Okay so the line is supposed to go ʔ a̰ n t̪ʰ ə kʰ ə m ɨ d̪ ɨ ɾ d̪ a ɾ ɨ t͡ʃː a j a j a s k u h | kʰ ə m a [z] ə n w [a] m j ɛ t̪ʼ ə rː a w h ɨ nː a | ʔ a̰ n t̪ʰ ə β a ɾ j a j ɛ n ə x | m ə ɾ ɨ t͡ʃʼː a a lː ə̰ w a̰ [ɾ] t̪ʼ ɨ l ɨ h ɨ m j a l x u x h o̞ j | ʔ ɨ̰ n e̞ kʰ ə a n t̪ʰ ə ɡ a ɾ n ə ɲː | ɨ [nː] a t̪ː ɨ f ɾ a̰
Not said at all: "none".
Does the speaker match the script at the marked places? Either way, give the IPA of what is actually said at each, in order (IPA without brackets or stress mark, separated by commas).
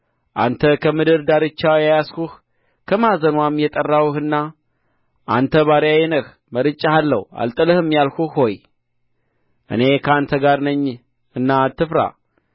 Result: z, a, l, nː